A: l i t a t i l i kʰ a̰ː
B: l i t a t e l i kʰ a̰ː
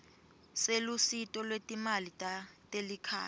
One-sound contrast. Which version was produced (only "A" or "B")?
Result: B